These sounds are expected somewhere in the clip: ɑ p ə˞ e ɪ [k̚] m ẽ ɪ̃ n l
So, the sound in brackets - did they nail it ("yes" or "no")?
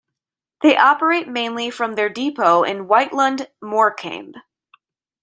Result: no